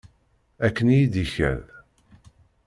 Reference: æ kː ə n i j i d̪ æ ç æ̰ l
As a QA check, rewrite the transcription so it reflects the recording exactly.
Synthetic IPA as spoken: æ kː ə n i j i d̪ i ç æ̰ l